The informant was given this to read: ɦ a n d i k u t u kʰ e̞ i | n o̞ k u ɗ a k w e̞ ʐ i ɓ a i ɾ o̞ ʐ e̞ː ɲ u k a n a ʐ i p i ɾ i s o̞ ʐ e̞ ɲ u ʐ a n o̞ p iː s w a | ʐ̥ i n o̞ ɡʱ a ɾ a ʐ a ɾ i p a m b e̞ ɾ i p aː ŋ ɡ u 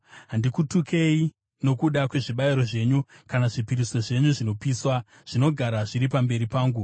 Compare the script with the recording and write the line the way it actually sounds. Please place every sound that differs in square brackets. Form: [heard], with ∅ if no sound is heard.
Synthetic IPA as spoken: ɦ a n d i k u t u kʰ e̞ i | n o̞ k u ɗ a k w e̞ ʐ i ɓ a i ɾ o̞ ʐ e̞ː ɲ u k a n a ʐ i p i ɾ i s o̞ ʐ e̞ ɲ u ʐ [i] n o̞ p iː s w a | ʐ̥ i n o̞ ɡʱ a ɾ a ʐ [i] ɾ i p a m b e̞ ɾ i p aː ŋ ɡ u